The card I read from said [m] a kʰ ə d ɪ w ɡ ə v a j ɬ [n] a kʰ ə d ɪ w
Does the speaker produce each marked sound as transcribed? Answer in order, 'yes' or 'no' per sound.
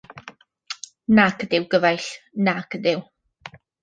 no, yes

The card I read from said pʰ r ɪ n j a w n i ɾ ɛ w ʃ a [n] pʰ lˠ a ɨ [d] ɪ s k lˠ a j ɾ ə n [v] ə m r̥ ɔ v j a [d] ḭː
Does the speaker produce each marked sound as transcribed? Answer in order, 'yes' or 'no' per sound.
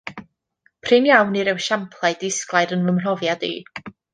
no, yes, yes, yes

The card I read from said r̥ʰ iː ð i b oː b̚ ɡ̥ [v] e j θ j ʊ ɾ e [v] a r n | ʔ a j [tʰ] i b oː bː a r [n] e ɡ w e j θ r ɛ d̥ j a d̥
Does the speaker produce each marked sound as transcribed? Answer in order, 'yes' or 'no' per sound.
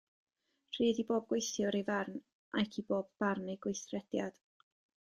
no, yes, no, yes

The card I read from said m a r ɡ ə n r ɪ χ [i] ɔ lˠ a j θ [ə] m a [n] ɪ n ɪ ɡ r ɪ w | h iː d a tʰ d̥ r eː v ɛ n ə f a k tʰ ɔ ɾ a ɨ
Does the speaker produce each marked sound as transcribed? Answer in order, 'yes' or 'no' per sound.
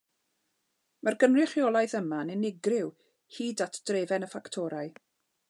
no, yes, yes

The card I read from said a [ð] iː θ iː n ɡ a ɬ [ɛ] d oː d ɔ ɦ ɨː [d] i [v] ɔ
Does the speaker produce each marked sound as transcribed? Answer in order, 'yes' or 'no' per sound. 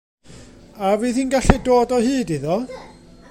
no, yes, yes, no

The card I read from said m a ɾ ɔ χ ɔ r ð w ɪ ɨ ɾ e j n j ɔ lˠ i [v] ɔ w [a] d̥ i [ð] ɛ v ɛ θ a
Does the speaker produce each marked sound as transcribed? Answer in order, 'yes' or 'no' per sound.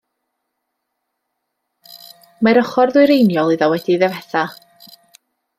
no, no, yes

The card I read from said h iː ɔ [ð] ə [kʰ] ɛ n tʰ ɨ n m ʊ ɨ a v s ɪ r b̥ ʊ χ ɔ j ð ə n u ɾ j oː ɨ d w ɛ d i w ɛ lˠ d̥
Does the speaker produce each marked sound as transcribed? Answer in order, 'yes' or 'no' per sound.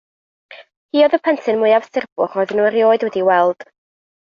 yes, no

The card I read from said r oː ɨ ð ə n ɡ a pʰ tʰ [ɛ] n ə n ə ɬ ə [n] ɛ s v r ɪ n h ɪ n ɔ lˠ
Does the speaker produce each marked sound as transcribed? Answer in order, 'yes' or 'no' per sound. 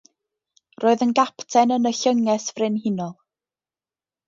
yes, no

